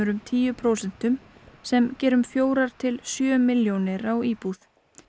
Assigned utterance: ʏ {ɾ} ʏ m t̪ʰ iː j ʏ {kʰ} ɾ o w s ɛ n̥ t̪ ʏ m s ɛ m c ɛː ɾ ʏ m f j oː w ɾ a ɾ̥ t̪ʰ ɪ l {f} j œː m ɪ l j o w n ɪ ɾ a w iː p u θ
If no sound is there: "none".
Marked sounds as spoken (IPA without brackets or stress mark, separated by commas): ɾ, pʰ, s